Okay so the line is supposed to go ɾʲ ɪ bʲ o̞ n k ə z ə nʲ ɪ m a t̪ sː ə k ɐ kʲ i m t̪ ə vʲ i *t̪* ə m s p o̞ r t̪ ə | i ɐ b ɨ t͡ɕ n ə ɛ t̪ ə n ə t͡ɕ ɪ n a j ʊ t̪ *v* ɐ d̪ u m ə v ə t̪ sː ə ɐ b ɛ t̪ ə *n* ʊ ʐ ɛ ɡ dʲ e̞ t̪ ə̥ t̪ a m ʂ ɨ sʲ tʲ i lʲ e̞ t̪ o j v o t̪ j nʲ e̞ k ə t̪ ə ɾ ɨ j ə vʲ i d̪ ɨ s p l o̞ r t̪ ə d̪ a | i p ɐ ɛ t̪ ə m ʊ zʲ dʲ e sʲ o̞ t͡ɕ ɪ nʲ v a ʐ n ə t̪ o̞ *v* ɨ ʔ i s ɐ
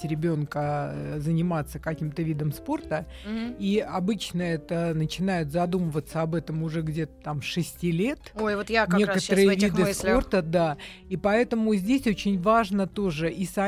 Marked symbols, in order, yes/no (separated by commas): no, no, no, no